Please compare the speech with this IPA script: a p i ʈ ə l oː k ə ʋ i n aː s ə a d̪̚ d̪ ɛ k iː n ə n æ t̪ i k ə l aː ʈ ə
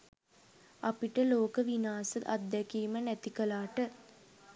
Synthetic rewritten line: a p i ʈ ə l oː k ə ʋ i n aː s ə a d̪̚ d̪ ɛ k iː m ə n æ t̪ i k ə l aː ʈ ə

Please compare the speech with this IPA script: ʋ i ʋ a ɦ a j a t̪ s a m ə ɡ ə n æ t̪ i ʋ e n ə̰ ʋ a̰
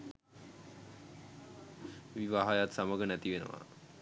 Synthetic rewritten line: ʋ i ʋ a ɦ a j a t̪ s a m ə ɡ ə n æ t̪ i ʋ e n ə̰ ʋ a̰

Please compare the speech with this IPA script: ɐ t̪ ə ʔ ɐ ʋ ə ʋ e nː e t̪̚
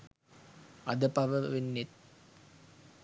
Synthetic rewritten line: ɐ d̪ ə p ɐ ʋ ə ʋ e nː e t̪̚

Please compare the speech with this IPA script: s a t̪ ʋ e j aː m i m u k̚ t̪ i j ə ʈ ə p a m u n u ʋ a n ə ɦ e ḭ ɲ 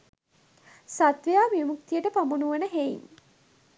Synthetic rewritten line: s a t̪ ʋ e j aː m i m u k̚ t̪ i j ə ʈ ə p a m u n u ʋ ə n ə ɦ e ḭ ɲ

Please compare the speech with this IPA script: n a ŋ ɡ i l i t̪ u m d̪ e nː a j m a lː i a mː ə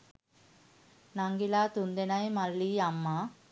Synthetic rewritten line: n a ŋ ɡ i l a t̪ u n d̪ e n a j m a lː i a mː a

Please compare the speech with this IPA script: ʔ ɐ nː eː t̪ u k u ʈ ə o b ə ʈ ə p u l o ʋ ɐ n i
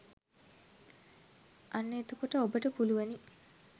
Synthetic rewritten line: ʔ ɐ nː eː t̪ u k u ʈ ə o b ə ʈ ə p u l u ʋ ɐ n i

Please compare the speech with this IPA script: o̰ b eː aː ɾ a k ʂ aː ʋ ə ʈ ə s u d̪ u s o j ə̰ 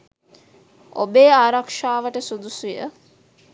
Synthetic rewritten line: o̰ b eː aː ɾ a k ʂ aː ʋ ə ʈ ə s u d̪ u s u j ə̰

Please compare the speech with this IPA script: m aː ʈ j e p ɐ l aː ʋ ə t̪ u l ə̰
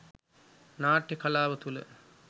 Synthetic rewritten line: n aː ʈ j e k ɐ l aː ʋ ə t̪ u l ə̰

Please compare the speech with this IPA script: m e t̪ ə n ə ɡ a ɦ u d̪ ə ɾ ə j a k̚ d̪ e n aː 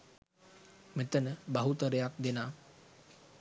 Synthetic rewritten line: m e t̪ ə n ə b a ɦ u t̪ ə ɾ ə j a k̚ d̪ e n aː

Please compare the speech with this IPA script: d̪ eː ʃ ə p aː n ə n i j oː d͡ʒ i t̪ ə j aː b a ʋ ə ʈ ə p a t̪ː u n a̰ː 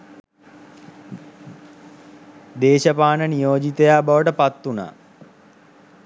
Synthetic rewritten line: d̪ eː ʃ ə p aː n ə n i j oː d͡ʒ i t̪ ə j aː b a ʋ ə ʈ ə p a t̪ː u n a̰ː

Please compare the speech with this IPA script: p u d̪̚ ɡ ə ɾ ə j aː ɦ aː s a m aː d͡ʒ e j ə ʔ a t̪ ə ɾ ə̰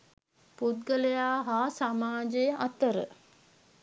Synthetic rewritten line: p u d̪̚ ɡ ə l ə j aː ɦ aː s a m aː d͡ʒ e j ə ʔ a t̪ ə ɾ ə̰

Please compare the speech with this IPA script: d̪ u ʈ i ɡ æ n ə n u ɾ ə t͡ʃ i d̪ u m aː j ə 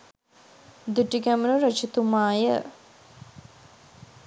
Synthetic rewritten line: d̪ u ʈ i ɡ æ m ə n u ɾ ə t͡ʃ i t̪ u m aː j ə

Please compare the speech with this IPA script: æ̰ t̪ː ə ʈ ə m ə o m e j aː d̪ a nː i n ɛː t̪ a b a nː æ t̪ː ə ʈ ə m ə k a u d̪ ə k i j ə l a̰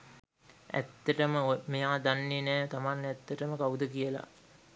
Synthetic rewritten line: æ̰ t̪ː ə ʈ ə m ə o m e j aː d̪ a nː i n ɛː t̪ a m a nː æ t̪ː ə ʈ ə m ə k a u d̪ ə k i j ə l a̰

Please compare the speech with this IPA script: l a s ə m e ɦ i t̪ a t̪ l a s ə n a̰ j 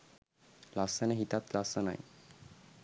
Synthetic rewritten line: l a s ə n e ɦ i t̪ a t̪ l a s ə n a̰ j

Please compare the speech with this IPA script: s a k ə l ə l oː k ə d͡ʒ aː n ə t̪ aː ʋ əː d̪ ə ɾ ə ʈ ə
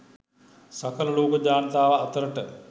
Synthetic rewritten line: s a k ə l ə l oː k ə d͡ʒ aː n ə t̪ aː ʋ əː t̪ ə ɾ ə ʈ ə

